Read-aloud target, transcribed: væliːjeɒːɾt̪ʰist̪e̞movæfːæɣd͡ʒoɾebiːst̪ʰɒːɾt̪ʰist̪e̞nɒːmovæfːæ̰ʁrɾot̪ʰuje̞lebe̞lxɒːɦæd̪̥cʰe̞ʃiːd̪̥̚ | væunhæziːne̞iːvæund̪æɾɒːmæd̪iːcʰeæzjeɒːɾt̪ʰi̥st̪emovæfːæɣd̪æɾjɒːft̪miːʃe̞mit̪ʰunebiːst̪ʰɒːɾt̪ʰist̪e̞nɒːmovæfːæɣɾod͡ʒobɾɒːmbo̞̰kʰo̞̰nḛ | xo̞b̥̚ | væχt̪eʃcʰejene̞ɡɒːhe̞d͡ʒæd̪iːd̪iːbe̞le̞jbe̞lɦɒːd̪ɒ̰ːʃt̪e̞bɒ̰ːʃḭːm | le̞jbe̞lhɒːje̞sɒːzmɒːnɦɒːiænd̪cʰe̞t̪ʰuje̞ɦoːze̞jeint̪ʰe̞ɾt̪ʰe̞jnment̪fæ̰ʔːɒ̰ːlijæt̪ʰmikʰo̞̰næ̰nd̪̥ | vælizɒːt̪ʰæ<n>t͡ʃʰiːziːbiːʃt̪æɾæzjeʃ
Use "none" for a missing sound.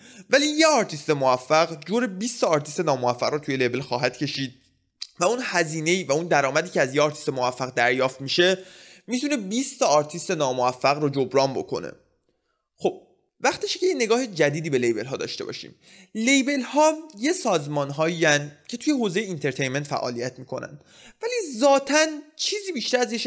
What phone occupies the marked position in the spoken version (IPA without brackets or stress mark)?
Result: n